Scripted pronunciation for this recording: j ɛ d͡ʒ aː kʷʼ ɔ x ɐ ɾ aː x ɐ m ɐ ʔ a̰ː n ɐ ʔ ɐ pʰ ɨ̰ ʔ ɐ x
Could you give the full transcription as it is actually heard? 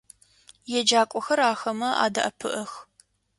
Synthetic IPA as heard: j ɛ d͡ʒ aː kʷʼ ɔ x ɐ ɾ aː x ɐ m ɐ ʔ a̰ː d ɐ ʔ ɐ pʰ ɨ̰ ʔ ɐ x